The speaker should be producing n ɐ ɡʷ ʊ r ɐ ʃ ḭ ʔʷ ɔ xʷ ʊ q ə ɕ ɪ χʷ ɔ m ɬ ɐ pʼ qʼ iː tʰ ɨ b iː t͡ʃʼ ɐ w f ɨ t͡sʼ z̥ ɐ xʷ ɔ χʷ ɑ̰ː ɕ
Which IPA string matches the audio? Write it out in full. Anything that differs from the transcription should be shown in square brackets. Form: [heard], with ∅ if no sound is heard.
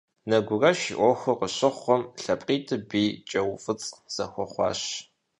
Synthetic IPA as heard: n ɐ ɡʷ ʊ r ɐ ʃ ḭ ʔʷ ɔ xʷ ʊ q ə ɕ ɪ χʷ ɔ m ɬ ɐ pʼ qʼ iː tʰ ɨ b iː t͡ʃʼ ɐ w f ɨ t͡sʼ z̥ ɐ xʷ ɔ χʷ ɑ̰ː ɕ